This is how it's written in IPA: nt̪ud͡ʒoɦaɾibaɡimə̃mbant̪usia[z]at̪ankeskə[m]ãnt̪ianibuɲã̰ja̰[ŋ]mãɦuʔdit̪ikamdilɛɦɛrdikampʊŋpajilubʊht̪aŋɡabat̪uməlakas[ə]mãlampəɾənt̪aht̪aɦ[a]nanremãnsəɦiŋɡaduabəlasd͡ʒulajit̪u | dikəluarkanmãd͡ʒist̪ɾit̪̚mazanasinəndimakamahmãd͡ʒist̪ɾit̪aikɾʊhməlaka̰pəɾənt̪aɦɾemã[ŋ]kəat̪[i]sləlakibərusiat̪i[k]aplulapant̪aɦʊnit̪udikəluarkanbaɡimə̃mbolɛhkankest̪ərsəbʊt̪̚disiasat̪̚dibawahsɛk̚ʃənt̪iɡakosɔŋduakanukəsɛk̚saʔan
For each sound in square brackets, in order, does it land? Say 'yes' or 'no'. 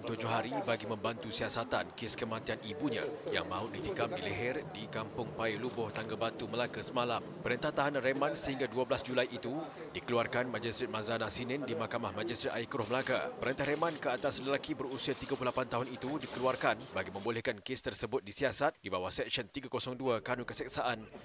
no, yes, yes, yes, yes, no, no, no

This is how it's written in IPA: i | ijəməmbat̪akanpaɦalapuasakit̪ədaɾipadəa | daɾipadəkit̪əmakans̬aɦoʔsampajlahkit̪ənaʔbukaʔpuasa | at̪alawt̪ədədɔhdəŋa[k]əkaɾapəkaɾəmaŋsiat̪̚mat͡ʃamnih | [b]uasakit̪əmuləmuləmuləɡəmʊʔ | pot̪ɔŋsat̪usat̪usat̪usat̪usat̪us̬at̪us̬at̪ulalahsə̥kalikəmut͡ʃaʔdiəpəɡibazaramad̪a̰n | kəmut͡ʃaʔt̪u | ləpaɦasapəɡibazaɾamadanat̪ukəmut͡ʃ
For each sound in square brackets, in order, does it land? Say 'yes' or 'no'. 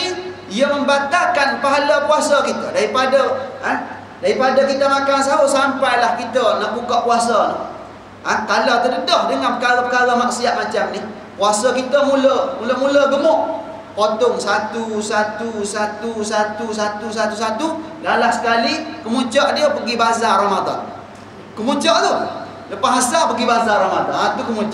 no, no

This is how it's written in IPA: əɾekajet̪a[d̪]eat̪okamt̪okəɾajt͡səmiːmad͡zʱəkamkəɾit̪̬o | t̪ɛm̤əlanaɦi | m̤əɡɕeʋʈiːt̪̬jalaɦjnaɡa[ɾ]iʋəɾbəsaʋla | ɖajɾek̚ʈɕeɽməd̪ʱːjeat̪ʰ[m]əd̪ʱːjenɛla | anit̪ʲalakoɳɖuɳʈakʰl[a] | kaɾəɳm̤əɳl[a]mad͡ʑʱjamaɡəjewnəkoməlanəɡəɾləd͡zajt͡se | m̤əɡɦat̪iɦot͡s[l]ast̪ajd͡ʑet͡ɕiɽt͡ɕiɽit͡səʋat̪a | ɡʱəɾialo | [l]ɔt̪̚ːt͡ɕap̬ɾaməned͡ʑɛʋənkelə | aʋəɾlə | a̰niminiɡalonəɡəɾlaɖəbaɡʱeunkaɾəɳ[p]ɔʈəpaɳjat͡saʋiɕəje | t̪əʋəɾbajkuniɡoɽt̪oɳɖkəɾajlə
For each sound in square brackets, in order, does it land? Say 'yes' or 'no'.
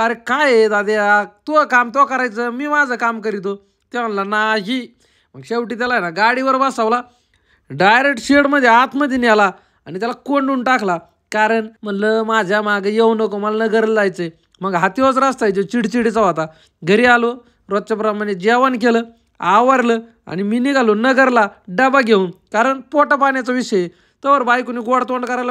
yes, no, yes, yes, no, no, no, yes

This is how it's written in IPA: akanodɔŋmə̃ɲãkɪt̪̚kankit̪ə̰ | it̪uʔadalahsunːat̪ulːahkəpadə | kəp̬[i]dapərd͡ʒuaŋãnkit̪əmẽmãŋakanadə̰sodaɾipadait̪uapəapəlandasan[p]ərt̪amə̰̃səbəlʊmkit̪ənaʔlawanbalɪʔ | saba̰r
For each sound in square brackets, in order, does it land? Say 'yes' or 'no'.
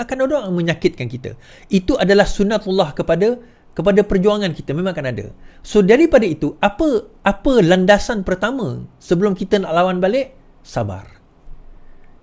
no, yes

